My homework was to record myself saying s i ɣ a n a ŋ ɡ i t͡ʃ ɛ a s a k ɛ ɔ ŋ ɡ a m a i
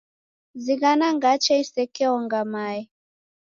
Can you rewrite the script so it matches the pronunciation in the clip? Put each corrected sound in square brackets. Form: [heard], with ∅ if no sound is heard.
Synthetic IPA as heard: [z] i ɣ a n a ŋ ɡ [a] t͡ʃ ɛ [i] s [ɛ] k ɛ ɔ ŋ ɡ a m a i